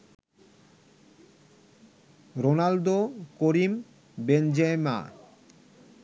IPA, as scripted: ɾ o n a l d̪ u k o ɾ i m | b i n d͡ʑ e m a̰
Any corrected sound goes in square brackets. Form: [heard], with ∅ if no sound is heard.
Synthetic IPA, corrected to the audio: ɾ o n a l d̪ [o] k o ɾ i m | b [e] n d͡ʑ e m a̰

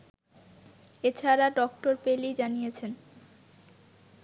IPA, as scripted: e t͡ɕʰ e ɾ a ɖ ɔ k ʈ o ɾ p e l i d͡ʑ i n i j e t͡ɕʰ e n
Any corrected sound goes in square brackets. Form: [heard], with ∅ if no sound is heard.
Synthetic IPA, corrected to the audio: e t͡ɕʰ [a] ɾ a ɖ ɔ k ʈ o ɾ p e l i d͡ʑ [a] n i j e t͡ɕʰ e n

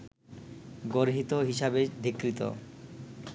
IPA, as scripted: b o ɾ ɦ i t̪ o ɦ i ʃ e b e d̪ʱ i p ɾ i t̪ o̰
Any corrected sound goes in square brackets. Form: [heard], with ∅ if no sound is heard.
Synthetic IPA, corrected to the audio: [ɡ] o ɾ ɦ i t̪ o ɦ i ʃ [a] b e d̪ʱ i [k] ɾ i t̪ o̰

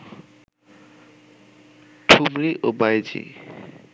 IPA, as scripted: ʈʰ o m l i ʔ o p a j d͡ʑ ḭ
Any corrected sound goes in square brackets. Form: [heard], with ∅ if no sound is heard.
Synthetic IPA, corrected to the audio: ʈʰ [u] m [ɾ] i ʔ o [b] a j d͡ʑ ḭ

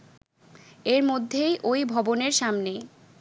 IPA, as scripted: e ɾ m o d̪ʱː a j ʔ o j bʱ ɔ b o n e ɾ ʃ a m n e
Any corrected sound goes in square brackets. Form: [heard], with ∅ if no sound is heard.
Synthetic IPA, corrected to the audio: e ɾ m o d̪ʱː [e] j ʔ o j bʱ ɔ b o n e ɾ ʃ a m n e

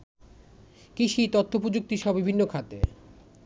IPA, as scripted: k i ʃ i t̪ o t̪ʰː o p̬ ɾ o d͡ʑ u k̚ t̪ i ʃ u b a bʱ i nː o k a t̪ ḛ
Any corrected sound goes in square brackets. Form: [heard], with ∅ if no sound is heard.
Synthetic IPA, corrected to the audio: k i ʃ i t̪ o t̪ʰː o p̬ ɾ o d͡ʑ u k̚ t̪ i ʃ [ɔ] b [i] bʱ i nː o [kʰ] a t̪ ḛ

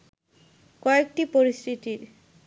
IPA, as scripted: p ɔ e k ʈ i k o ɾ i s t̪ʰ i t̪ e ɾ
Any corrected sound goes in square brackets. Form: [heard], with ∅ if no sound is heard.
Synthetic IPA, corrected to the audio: [k] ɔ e k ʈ i [p] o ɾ i s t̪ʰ i t̪ [i] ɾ

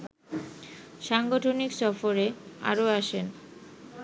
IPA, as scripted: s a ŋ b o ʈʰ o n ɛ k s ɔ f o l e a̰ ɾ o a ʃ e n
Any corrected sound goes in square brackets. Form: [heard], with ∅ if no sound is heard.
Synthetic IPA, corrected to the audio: [ʃ] a ŋ [ɡ] o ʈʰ o n [i] k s ɔ f o [ɾ] e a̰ ɾ o a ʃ e n

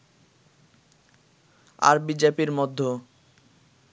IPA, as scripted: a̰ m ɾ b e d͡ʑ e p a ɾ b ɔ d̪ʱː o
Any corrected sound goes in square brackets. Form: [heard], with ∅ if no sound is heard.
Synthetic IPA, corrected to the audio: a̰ [∅] ɾ b [i] d͡ʑ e p [i] ɾ [m] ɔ d̪ʱː o

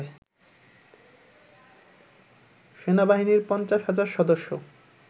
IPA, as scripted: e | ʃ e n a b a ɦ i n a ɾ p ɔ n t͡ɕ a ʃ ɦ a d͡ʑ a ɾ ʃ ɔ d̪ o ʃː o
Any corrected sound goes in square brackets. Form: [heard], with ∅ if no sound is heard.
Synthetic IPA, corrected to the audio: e | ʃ e n a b a ɦ i n [i] ɾ p ɔ n t͡ɕ a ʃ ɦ a d͡ʑ a ɾ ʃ ɔ d̪ o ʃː o

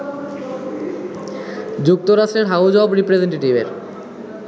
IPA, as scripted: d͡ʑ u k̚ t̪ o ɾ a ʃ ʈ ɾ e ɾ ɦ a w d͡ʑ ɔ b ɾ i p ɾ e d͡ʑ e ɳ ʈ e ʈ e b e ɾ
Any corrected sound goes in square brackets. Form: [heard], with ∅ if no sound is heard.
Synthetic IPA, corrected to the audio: d͡ʑ u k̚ t̪ o ɾ a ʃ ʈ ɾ e ɾ ɦ a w d͡ʑ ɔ b ɾ i p ɾ e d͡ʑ e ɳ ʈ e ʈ [i] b e ɾ

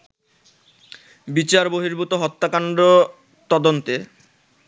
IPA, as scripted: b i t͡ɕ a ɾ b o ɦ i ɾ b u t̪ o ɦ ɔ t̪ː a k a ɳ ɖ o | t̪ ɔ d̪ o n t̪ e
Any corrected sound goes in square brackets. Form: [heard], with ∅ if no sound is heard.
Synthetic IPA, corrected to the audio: b i t͡ɕ a ɾ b o ɦ i ɾ b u t̪ o ɦ ɔ t̪ː a k a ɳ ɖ o | t̪ ɔ d̪ o n t̪ e

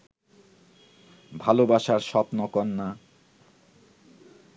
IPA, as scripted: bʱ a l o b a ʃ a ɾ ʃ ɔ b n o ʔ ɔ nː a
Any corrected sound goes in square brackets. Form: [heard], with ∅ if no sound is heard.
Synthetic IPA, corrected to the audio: bʱ a l o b a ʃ a ɾ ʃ ɔ [p] n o [k] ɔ nː a

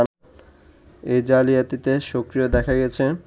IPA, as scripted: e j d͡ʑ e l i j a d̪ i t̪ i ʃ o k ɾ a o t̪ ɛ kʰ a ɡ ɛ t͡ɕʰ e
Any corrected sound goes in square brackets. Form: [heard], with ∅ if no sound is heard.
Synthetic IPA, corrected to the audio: e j d͡ʑ [a] l i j a [t̪] i t̪ [e] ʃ o k ɾ [i] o [d̪] ɛ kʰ a ɡ ɛ t͡ɕʰ e

